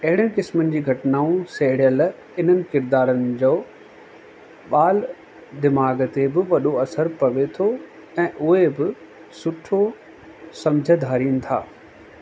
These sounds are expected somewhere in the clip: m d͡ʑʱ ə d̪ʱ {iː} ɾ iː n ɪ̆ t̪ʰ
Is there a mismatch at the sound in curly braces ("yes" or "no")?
yes